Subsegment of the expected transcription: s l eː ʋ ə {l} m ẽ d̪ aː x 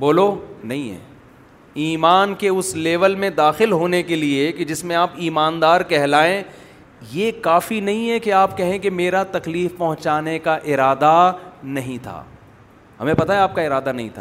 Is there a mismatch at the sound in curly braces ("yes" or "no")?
no